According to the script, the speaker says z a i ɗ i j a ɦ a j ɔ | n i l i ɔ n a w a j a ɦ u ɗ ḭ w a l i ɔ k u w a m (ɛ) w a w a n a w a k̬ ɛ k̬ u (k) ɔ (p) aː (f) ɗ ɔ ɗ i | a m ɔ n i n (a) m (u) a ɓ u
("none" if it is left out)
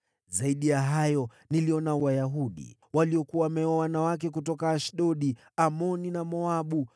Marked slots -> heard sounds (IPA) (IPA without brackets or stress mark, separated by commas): ɛ, t, k, ʃ, a, ɔ